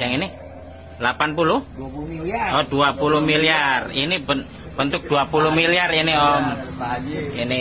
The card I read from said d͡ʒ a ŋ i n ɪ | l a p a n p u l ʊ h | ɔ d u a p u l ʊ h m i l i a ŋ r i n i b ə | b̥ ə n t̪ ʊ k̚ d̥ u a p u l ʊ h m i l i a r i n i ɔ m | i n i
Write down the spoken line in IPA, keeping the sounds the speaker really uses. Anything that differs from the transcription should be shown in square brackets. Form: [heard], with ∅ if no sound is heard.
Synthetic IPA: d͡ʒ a ŋ i n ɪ | l a p a n p u l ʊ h | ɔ d u a p u l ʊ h m i l i a [∅] r i n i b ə | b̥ ə n t̪ ʊ k̚ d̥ u a p u l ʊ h m i l i a r i n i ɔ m | i n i